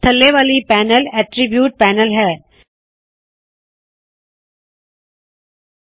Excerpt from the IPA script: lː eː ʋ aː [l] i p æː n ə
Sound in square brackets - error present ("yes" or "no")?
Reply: no